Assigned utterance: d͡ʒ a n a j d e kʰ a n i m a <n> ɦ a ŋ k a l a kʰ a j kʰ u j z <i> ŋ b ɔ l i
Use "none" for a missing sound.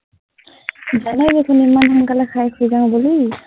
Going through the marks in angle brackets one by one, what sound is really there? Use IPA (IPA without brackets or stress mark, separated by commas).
n, a